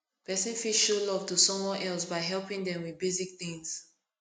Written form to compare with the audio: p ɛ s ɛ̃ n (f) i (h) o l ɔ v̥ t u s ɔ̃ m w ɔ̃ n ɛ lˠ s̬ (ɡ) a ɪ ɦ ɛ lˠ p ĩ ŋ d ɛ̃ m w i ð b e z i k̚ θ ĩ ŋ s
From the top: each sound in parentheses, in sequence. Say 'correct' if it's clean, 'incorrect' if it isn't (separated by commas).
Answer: correct, incorrect, incorrect